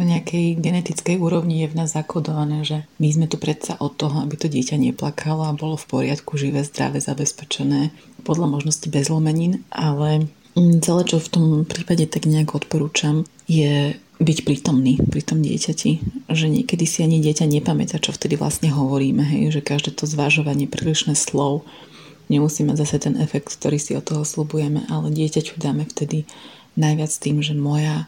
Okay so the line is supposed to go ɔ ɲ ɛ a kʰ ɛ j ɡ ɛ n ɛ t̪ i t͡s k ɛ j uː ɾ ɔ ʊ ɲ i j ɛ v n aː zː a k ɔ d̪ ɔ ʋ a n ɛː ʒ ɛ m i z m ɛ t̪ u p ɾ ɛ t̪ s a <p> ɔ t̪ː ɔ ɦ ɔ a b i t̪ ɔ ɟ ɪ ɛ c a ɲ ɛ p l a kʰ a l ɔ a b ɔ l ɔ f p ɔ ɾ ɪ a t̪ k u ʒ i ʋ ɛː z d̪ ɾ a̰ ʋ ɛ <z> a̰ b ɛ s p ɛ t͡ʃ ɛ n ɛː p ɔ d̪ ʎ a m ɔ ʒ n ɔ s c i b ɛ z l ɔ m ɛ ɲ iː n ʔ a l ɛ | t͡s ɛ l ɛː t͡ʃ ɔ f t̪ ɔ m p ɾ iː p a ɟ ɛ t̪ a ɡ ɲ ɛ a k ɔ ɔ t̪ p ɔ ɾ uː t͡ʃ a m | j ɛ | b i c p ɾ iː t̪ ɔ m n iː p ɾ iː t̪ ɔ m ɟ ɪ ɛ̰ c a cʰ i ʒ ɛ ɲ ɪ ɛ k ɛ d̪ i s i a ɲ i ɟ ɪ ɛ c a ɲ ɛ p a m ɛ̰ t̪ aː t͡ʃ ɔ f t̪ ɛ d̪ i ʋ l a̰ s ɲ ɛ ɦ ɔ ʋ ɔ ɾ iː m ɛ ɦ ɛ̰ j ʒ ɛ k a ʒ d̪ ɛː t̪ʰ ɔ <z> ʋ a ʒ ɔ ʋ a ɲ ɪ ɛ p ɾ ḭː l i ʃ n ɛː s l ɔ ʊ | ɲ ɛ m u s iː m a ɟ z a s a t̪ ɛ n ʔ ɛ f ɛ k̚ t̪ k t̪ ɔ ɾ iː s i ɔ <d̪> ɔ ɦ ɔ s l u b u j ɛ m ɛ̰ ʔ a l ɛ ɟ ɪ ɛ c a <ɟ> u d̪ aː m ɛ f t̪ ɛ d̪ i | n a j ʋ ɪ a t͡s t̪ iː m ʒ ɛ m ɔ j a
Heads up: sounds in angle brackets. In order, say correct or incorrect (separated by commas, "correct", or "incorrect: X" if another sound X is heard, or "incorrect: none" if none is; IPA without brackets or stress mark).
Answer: incorrect: ʔ, correct, correct, incorrect: t̪, incorrect: c